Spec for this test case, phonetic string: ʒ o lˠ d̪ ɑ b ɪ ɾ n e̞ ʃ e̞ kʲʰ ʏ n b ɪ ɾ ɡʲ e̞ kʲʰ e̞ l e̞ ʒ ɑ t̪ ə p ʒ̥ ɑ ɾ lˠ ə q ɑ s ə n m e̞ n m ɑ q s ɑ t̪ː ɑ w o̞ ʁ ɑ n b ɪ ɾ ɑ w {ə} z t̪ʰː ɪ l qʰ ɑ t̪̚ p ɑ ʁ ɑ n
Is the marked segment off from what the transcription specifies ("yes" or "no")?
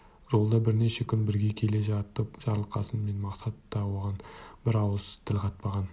no